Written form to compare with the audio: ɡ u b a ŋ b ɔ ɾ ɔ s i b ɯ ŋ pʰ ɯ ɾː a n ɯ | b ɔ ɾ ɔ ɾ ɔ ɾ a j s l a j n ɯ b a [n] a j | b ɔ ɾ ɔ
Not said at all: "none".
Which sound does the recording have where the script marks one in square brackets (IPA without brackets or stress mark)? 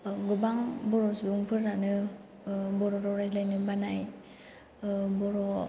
n